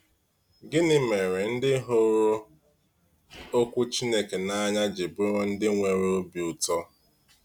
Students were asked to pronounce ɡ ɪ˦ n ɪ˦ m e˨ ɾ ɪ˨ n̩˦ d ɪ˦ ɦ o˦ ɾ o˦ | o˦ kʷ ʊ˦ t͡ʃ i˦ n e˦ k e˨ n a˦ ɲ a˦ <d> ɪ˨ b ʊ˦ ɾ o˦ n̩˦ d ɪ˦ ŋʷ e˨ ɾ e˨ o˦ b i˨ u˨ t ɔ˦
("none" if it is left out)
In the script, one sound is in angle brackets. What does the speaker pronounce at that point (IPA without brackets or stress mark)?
d͡ʒ